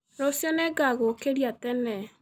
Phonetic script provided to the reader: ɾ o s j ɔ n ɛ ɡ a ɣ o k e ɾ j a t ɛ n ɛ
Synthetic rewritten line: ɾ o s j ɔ n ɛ ɡ a ɣ o k e ɾ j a t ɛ n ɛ